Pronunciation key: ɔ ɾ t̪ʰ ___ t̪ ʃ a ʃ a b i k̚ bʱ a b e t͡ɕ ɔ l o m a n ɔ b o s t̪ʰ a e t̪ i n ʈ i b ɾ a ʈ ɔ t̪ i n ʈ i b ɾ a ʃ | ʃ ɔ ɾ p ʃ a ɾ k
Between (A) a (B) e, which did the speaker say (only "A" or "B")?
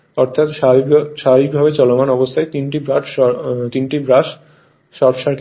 A